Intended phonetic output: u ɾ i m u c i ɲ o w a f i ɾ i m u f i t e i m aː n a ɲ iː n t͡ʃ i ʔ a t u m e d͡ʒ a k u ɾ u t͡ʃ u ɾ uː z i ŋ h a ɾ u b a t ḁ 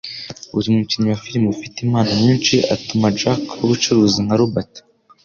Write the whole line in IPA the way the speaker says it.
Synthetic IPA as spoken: u ɾ i m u c i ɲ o w a f i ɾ i m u f i t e i m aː n a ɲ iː n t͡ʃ i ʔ a t u m a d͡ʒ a k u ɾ u t͡ʃ u ɾ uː z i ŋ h a ɾ u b a t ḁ